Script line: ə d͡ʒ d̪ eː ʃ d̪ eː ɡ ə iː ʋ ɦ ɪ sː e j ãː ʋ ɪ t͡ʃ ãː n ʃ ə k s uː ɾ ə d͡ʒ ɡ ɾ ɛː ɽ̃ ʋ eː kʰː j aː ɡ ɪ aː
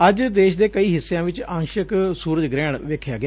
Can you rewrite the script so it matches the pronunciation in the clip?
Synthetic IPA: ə d͡ʒ d̪ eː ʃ d̪ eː k ə iː ɦ ɪ sː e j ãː ʋ ɪ t͡ʃ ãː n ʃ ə k s uː ɾ ə d͡ʒ ɡ ɾ ɛː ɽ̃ ʋ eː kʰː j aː ɡ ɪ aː